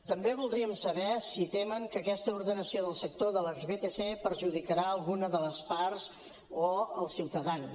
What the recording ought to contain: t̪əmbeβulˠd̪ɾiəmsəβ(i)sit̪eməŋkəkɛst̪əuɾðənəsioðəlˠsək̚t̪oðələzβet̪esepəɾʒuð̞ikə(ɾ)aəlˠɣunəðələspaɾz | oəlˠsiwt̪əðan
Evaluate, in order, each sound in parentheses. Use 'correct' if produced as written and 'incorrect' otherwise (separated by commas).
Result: incorrect, correct